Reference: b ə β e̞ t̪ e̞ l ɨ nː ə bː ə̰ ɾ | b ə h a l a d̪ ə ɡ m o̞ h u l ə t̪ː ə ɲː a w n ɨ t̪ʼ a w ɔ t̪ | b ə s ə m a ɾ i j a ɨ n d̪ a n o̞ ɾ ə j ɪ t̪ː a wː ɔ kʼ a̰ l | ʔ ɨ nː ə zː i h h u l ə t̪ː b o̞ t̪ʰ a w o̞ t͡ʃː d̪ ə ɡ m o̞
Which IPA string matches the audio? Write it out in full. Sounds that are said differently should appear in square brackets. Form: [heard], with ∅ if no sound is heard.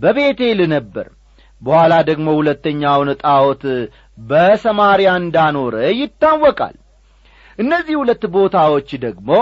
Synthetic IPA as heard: b ə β e̞ t̪ e̞ l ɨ [n] ə bː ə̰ ɾ | b ə h a l a d̪ ə ɡ m o̞ h u l ə t̪ː ə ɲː a w n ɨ t̪ʼ a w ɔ t̪ | b ə s ə m a ɾ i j a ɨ n d̪ a n o̞ ɾ ə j ɪ t̪ː a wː ɔ kʼ a̰ l | ʔ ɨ nː ə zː i h h u l ə t̪ː b o̞ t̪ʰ a w o̞ t͡ʃː d̪ ə ɡ m o̞